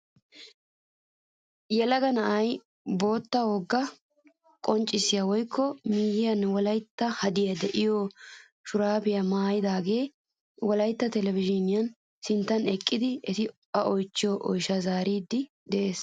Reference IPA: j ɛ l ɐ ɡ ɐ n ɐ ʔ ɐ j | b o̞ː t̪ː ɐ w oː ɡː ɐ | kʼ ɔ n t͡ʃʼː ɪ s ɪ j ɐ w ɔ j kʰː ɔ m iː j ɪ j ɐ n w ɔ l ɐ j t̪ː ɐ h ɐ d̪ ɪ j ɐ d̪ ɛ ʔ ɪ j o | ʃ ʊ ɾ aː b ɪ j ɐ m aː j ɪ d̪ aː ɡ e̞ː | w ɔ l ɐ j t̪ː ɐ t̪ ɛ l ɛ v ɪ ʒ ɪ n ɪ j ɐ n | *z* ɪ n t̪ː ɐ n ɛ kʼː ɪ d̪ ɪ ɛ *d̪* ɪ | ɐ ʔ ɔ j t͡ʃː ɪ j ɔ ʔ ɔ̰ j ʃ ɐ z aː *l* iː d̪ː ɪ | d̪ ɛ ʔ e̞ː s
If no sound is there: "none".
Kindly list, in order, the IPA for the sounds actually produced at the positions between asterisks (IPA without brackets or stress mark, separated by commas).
s, t̪, ɾ